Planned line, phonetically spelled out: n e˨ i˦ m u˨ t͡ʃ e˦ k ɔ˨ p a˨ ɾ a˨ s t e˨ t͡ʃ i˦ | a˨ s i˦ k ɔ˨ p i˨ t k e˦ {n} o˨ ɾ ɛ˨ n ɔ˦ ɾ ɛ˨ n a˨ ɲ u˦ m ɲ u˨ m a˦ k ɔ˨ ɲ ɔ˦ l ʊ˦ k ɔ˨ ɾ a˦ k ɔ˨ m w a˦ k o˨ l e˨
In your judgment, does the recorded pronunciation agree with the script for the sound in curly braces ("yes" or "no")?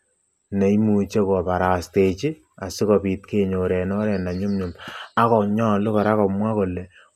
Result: no